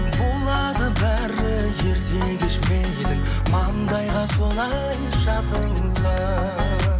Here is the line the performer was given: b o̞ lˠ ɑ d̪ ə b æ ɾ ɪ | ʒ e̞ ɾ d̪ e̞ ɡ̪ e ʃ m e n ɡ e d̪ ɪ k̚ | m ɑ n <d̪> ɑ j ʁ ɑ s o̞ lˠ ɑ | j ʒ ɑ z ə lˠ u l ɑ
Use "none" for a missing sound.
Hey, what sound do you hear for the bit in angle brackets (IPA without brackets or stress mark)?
d̪